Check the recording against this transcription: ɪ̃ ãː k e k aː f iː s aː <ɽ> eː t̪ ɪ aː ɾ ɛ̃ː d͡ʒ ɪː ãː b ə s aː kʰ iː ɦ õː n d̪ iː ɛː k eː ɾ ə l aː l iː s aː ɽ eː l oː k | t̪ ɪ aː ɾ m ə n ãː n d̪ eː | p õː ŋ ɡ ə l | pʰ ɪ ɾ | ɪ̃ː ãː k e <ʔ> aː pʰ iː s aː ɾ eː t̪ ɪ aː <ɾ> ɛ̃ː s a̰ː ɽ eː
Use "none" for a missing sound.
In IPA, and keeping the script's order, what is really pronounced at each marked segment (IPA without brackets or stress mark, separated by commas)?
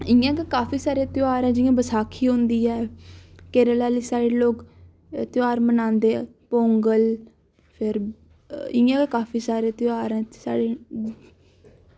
ɾ, k, ɾ